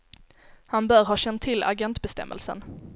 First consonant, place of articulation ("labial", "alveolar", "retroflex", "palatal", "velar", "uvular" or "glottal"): glottal